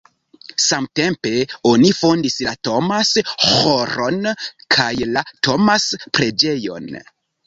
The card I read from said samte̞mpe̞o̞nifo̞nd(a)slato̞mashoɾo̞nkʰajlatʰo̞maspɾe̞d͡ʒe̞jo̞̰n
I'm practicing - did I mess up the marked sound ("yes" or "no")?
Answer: yes